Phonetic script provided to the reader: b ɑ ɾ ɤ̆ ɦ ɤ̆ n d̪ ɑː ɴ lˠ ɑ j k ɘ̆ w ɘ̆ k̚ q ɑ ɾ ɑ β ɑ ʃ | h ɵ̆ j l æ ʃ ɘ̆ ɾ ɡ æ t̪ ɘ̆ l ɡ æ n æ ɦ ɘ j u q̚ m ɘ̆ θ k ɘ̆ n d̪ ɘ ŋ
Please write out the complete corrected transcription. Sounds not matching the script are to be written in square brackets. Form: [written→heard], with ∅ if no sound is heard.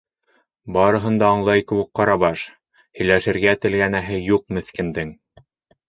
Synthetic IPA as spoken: b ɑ ɾ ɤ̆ ɦ ɤ̆ n d̪ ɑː ɴ lˠ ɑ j k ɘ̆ w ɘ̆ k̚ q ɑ ɾ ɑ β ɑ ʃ | h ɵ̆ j l æ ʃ ɘ̆ ɾ ɡ æ t̪ ɘ̆ l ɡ æ n æ ɦ ɘ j u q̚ m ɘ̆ θ k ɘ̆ n d̪ ɘ ŋ